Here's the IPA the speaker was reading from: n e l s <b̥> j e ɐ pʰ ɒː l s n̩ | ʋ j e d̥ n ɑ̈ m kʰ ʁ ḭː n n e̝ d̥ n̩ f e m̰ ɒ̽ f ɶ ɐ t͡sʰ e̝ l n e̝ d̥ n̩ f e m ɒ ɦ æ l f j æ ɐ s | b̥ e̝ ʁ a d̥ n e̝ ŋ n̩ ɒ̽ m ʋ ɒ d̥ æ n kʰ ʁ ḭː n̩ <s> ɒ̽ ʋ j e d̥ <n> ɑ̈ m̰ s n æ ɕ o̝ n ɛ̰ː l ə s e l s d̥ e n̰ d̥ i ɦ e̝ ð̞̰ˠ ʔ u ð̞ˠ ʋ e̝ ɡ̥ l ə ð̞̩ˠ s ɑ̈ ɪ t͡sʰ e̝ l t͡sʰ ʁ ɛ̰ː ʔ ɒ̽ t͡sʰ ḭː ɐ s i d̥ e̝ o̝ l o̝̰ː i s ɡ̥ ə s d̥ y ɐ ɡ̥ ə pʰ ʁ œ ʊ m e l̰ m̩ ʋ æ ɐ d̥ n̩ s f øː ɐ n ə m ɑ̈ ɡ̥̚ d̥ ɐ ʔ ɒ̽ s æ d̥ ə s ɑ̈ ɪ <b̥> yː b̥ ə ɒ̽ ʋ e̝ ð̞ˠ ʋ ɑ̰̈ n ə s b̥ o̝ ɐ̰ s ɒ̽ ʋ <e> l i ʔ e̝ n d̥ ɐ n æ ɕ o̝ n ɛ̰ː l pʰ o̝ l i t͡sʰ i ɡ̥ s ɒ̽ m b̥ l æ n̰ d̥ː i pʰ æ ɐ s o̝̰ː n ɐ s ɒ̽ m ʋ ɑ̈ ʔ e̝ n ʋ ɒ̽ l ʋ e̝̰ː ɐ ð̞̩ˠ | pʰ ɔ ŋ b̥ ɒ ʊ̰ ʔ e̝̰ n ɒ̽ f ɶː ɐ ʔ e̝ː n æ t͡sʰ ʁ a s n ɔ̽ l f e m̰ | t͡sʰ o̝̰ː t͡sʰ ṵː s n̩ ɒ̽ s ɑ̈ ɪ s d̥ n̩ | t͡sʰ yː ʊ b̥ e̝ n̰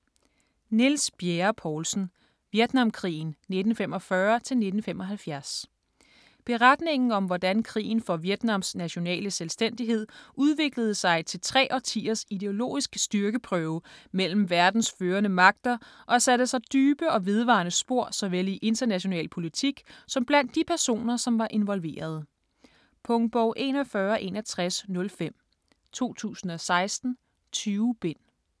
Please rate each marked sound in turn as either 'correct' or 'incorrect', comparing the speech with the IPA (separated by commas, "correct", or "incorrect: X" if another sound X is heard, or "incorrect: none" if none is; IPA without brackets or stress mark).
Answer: correct, incorrect: f, correct, incorrect: d̥, correct